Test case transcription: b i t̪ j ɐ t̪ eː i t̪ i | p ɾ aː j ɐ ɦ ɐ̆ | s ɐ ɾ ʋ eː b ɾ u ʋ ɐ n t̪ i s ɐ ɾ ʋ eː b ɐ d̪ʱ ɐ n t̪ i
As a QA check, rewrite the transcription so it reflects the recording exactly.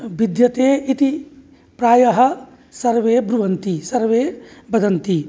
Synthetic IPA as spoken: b i d̪ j ɐ t̪ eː i t̪ i | p ɾ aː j ɐ ɦ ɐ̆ | s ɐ ɾ ʋ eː b ɾ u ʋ ɐ n t̪ i s ɐ ɾ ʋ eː b ɐ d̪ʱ ɐ n t̪ i